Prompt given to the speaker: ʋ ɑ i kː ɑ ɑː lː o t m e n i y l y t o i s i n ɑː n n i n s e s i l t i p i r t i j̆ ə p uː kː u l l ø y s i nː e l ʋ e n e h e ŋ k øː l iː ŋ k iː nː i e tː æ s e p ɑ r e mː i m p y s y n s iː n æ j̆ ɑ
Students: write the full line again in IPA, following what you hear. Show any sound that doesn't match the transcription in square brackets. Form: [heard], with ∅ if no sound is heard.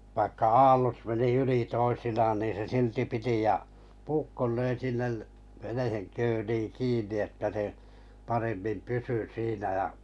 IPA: ʋ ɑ i kː ɑ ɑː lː o t m e n i y l [i] t o i s i n ɑː n n [iː] n s e s i l t i p i [∅] t i j̆ [ɑ] p uː kː [o] l l ø [i] s i nː e l ʋ e n e h e ŋ k øː l iː ŋ k iː nː i e tː æ s e p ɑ r e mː i m p y s y [∅] s iː n æ j̆ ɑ